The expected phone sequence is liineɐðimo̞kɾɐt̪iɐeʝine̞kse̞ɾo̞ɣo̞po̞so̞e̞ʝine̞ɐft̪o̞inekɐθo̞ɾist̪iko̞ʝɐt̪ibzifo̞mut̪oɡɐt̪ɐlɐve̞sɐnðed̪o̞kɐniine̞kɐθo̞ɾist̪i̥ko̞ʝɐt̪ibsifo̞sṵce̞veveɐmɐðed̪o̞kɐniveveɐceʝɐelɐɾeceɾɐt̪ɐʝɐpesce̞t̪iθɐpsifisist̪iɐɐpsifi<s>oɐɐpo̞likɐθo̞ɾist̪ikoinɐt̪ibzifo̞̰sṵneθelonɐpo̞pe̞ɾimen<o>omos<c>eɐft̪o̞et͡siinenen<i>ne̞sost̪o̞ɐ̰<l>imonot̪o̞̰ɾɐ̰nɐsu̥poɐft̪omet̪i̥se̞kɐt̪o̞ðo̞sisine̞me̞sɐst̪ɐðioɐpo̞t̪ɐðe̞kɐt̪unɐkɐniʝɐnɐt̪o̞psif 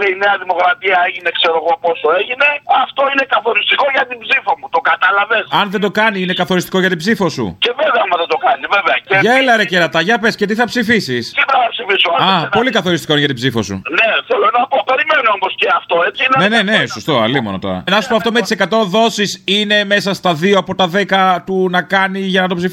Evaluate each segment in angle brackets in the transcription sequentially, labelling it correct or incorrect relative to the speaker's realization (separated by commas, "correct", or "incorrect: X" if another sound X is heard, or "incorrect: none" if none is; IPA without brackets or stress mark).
correct, correct, correct, incorrect: e, correct